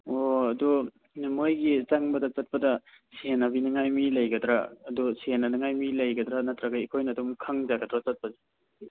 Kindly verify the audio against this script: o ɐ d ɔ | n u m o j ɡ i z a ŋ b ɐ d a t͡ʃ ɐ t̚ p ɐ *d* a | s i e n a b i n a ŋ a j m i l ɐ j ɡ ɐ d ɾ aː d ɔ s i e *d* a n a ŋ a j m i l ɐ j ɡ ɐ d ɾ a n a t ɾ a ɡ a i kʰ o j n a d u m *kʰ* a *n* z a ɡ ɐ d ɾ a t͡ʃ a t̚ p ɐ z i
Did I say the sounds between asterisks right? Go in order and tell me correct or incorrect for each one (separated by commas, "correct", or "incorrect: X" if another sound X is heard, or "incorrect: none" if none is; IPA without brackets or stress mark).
correct, incorrect: n, correct, incorrect: ŋ